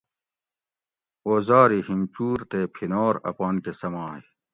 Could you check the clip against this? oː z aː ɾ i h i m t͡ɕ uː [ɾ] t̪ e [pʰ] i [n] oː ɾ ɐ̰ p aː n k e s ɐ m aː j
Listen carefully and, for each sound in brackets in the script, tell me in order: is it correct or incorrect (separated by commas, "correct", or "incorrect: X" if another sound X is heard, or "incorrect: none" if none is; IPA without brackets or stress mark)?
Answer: correct, correct, correct